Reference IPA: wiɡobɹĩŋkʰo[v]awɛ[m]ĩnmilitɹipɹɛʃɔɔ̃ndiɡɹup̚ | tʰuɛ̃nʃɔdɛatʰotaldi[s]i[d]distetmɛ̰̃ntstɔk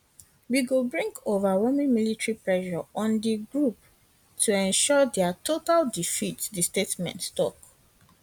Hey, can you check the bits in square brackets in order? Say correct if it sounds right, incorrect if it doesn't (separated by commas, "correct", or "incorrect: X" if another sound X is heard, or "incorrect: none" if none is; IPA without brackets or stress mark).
correct, correct, incorrect: f, incorrect: t